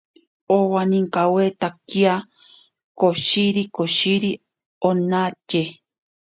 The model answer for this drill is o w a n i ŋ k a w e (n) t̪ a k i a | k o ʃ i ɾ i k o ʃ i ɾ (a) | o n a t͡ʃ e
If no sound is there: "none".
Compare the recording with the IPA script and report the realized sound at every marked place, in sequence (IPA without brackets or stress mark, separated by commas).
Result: none, i